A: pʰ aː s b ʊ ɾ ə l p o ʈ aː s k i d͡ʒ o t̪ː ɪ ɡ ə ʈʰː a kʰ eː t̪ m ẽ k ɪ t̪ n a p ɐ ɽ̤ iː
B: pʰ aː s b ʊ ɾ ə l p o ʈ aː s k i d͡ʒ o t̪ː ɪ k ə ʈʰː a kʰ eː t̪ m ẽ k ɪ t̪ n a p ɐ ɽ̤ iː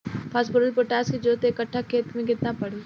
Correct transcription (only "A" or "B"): B